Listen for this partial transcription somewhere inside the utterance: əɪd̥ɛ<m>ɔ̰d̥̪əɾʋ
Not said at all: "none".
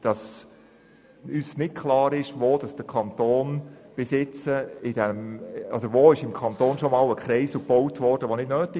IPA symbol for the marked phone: m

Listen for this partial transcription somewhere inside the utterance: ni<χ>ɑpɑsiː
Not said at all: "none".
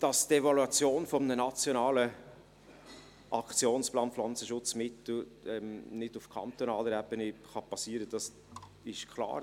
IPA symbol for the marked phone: χ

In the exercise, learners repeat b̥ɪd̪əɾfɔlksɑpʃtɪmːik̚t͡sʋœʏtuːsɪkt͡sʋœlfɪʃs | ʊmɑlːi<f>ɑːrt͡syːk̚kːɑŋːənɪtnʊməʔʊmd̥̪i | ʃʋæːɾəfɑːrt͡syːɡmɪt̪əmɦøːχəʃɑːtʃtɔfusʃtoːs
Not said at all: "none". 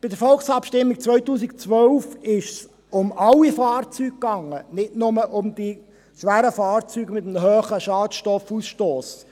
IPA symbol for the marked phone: f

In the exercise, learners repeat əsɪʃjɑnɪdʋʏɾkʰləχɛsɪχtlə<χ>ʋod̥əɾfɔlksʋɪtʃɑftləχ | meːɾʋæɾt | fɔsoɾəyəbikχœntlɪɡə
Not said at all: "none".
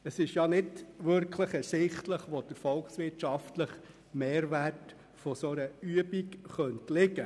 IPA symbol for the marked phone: χ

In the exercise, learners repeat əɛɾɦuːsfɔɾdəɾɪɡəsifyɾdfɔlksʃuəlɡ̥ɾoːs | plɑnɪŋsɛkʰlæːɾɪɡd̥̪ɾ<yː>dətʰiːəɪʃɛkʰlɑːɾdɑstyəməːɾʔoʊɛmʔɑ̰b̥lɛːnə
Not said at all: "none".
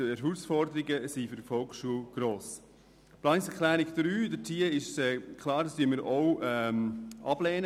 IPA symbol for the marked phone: yː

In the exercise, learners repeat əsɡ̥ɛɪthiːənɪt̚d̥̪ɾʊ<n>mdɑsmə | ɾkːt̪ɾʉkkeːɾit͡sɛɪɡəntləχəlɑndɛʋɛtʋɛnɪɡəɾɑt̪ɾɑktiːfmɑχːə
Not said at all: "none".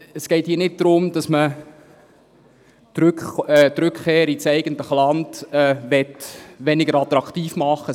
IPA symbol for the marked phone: none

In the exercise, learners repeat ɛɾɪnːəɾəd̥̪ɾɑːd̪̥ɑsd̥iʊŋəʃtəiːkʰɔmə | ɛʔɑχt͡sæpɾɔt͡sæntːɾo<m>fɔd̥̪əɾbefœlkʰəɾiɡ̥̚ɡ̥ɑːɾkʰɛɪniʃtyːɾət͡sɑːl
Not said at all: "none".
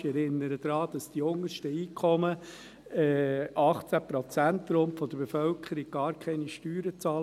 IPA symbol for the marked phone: m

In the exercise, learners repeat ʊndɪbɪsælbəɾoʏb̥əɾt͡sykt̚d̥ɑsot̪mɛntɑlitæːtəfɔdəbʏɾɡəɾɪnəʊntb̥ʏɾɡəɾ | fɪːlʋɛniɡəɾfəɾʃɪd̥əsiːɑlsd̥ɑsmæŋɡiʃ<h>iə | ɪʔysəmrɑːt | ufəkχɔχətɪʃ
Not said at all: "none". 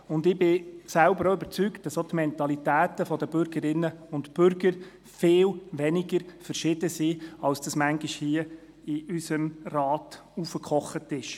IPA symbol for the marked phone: h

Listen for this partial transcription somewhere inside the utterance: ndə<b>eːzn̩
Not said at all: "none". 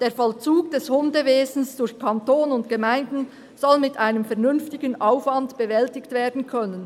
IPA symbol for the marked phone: v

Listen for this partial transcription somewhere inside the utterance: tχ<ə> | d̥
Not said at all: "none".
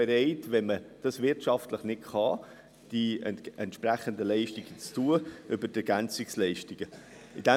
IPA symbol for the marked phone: ɑ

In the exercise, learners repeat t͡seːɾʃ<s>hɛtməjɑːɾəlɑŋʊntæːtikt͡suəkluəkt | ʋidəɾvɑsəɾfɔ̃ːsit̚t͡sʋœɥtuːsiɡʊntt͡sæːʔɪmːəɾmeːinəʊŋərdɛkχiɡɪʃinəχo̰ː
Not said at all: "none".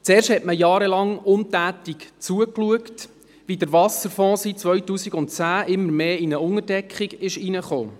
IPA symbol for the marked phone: t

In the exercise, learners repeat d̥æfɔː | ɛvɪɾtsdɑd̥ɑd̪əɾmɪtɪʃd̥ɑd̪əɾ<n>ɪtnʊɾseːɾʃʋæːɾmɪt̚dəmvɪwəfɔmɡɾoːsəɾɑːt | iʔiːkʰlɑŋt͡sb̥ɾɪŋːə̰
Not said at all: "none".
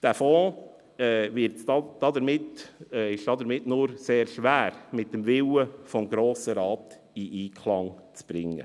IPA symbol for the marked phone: m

